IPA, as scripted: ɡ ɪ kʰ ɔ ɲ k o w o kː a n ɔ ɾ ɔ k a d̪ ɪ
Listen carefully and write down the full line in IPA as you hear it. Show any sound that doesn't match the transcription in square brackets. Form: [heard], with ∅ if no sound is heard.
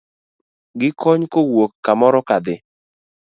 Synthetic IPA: ɡ ɪ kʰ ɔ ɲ k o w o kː a [m] ɔ ɾ ɔ k a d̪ ɪ